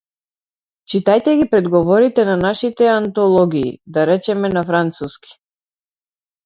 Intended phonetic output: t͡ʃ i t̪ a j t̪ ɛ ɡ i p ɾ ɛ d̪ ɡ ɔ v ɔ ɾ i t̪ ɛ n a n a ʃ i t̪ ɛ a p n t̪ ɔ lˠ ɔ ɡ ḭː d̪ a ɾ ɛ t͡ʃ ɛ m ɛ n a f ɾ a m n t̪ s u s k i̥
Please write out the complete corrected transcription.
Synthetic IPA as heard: t͡ʃ i t̪ a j t̪ ɛ ɡ i p ɾ ɛ d̪ ɡ ɔ v ɔ ɾ i t̪ ɛ n a n a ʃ i t̪ ɛ a n t̪ ɔ lˠ ɔ ɡ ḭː d̪ a ɾ ɛ t͡ʃ ɛ m ɛ n a f ɾ a n t̪ s u s k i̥